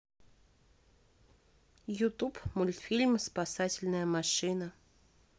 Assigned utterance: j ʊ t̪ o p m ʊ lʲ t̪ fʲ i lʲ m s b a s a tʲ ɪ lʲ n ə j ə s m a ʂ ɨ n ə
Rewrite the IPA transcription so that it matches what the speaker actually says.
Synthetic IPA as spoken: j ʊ t̪ u p m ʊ lʲ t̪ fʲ i lʲ m s p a s a tʲ ɪ lʲ n ə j ə m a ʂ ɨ n ə

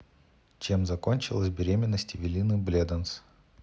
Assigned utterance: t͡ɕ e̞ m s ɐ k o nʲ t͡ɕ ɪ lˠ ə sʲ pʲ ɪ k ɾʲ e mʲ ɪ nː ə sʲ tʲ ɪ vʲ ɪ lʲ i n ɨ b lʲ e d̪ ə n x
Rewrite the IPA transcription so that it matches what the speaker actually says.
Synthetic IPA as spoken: t͡ɕ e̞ m z ɐ k o nʲ t͡ɕ ɪ lˠ ə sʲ bʲ ɪ ɾʲ e mʲ ɪ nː ə sʲ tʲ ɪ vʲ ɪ lʲ i n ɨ b lʲ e d̪ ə n s

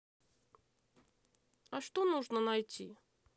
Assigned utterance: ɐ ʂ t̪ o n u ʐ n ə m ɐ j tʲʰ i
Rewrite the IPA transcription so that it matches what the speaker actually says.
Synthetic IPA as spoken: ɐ ʂ t̪ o n u ʐ n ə n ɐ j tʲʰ i

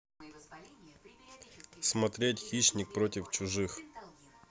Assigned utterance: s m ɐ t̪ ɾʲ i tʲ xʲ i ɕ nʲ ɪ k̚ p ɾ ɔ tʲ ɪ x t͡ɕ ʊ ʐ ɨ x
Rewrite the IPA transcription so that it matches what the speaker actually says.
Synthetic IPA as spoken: s m ɐ t̪ ɾʲ e tʲ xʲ i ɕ nʲ ɪ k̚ p ɾ o tʲ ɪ f t͡ɕ ʊ ʐ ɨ x

